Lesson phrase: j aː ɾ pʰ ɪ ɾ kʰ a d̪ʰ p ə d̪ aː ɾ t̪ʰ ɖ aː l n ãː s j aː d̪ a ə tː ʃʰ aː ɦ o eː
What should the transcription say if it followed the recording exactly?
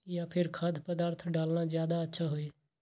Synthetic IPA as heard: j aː pʰ ɪ ɾ kʰ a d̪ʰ p ə d̪ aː ɾ t̪ʰ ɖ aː l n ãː z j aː d̪ a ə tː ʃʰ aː ɦ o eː